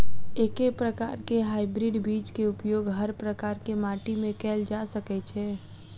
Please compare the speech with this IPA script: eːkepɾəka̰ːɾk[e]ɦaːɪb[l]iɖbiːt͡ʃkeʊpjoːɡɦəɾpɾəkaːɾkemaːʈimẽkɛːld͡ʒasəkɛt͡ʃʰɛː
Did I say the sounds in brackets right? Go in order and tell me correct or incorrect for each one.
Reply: correct, incorrect

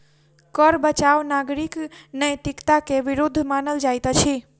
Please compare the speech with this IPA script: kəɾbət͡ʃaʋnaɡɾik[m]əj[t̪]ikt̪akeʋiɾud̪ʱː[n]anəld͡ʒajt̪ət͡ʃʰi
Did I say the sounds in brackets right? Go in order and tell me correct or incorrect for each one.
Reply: incorrect, correct, incorrect

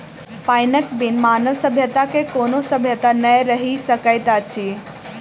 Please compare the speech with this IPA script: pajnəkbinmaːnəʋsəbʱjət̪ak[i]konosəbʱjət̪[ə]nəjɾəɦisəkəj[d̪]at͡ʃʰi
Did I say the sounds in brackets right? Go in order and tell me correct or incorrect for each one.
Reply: incorrect, incorrect, incorrect

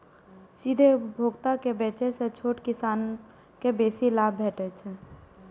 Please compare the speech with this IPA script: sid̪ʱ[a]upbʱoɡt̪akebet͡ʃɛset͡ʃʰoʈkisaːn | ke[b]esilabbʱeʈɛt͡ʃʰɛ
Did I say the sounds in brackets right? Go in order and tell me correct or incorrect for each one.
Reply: incorrect, correct

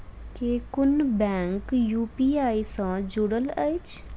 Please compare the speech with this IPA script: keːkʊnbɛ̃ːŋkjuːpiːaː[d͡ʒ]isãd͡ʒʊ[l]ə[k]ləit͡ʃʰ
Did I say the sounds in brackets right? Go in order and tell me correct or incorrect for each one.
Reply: incorrect, incorrect, incorrect

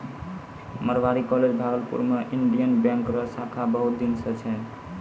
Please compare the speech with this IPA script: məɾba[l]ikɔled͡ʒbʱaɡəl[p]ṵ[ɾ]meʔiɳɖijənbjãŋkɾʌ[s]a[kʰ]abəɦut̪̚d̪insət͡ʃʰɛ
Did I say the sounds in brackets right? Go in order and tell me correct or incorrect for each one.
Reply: incorrect, correct, correct, correct, correct

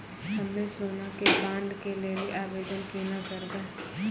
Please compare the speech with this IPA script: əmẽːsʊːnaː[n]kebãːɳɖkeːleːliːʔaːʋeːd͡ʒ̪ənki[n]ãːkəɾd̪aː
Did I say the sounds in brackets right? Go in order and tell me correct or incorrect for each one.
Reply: incorrect, correct

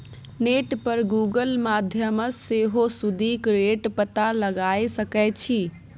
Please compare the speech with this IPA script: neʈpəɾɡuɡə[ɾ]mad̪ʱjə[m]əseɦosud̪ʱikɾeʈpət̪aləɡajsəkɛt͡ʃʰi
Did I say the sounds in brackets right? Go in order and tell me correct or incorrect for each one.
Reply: incorrect, correct

